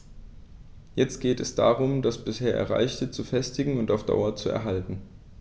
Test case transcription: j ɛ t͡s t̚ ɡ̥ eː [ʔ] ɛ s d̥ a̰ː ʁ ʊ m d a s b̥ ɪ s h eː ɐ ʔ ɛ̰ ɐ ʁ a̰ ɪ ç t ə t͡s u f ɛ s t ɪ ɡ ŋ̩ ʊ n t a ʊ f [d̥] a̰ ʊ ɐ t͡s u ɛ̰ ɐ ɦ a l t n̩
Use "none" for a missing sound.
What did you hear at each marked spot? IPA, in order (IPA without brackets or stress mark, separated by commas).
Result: t, d̥